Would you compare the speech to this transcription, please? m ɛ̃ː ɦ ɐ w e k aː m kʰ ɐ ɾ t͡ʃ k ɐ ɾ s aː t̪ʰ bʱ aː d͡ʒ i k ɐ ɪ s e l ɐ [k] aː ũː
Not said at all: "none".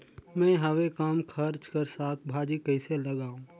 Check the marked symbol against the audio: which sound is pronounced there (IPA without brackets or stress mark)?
ɡ